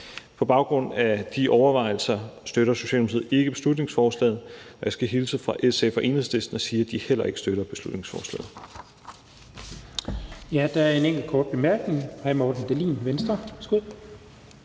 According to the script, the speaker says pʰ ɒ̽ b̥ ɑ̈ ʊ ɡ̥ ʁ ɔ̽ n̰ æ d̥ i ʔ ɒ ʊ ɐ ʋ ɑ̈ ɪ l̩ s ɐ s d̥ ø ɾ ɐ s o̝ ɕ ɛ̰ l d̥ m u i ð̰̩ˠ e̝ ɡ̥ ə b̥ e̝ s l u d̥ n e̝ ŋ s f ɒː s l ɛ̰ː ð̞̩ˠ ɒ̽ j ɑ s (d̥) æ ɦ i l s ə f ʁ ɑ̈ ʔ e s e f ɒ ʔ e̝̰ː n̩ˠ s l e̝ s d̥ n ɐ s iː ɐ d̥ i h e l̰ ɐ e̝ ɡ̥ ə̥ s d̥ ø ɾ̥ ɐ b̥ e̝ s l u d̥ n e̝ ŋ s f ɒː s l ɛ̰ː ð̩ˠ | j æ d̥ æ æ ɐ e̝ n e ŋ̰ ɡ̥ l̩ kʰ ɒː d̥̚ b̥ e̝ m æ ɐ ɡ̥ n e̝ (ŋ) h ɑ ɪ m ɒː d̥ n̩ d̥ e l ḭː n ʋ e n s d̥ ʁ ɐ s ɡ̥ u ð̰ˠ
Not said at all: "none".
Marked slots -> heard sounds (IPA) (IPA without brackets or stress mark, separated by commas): ɡ̥, ŋ